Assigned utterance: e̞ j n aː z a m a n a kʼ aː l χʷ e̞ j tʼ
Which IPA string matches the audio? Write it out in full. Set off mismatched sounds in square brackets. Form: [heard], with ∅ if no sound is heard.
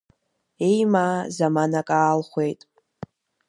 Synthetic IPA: e̞ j [m] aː z a m a n a kʼ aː l χʷ e̞ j tʼ